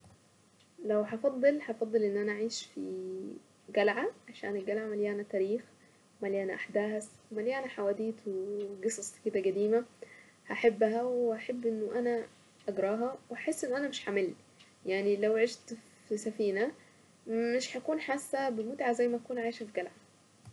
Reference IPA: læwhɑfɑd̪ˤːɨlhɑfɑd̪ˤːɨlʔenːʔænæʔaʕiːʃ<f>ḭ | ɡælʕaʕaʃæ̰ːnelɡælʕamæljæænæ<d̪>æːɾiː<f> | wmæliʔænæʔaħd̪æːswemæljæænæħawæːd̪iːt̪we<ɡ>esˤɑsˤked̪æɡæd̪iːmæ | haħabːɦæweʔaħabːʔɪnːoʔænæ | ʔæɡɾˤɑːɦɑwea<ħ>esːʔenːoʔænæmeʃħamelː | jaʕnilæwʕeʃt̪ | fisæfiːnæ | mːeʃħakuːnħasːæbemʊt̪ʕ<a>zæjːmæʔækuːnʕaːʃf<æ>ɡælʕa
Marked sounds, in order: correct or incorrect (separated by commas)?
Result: correct, incorrect, incorrect, correct, correct, correct, incorrect